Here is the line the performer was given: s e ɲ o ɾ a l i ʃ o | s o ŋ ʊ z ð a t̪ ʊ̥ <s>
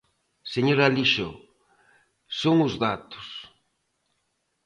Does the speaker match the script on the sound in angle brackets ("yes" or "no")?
yes